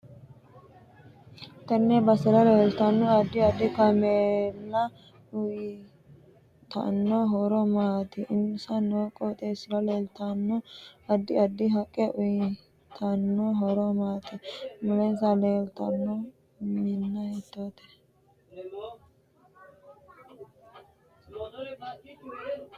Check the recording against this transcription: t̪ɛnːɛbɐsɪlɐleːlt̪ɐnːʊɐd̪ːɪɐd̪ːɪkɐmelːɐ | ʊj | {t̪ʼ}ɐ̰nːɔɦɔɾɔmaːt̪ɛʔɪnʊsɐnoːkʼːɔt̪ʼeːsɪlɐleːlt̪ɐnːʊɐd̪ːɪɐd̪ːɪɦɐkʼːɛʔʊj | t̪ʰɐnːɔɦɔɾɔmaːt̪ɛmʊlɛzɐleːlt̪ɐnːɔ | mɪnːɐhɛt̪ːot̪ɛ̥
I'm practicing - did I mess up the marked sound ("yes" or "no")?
yes